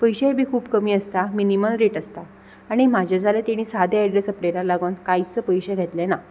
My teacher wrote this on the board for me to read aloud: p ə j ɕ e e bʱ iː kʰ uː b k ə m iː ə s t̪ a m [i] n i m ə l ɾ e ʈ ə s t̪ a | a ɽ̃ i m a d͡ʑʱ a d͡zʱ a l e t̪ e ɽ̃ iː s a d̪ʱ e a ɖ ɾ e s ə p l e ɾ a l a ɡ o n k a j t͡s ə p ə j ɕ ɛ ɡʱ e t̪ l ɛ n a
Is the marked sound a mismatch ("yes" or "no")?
no